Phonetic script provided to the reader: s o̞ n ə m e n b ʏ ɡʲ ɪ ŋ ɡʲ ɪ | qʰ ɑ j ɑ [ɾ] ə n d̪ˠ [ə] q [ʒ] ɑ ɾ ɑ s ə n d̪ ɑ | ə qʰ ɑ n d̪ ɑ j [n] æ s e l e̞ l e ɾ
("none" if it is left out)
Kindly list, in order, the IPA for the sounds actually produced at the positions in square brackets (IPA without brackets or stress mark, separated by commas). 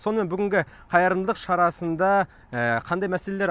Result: ɾ, ə, ʃ, m